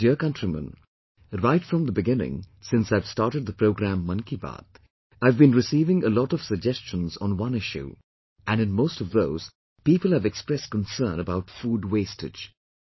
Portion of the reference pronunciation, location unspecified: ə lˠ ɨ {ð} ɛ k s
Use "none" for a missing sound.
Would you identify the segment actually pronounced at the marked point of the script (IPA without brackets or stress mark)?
v